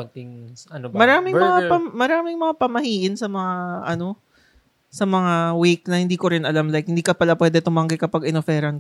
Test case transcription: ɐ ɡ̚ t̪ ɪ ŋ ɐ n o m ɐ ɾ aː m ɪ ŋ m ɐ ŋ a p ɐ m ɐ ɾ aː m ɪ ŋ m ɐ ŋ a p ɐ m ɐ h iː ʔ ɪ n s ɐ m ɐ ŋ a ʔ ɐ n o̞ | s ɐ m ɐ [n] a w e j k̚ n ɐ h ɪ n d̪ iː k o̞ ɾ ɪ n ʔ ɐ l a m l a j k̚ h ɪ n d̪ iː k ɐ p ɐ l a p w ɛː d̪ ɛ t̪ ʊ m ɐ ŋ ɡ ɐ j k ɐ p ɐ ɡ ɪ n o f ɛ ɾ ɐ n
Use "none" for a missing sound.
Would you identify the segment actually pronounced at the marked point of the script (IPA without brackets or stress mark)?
ŋ